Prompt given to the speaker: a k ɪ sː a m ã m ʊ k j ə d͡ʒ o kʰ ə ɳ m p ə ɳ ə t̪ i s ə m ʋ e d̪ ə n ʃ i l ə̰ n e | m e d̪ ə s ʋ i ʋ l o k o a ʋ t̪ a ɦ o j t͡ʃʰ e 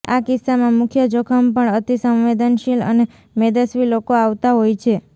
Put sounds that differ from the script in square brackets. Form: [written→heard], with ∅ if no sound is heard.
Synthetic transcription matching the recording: a k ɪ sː a m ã m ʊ [k→kʰ] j ə d͡ʒ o kʰ ə [ɳ→∅] m p ə ɳ ə t̪ i s ə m ʋ e d̪ ə n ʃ i l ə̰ n e | m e d̪ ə s ʋ i [ʋ→∅] l o k o a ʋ t̪ a ɦ o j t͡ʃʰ e